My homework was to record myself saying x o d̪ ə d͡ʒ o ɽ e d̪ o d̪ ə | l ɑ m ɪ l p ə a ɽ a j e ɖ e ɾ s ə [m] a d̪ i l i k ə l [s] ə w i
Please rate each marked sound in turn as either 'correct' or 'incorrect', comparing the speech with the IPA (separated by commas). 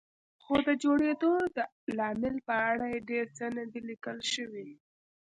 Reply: incorrect, incorrect